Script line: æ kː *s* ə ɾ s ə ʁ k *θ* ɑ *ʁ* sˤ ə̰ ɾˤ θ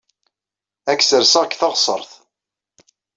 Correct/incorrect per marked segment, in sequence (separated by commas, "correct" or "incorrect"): correct, correct, correct